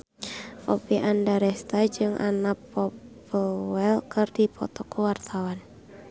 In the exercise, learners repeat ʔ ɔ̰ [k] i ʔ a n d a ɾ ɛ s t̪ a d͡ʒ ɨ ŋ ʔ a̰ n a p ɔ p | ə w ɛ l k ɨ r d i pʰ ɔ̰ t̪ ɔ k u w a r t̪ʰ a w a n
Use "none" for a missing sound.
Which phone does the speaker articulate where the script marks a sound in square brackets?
p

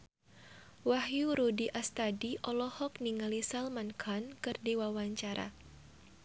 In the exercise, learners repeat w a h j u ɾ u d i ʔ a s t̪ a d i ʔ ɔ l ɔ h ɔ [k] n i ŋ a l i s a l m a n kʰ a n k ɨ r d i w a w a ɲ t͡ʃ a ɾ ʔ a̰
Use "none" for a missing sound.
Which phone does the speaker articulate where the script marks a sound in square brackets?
k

